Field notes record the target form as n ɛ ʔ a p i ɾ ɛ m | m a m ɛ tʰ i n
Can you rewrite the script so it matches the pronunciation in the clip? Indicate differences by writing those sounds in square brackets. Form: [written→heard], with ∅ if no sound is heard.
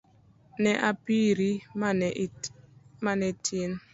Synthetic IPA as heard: n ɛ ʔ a p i ɾ [ɛ→i] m | m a [m→n] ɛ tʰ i n